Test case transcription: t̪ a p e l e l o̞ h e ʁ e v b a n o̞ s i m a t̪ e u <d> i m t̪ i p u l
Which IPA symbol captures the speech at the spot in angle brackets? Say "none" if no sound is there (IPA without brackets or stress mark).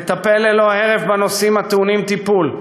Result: n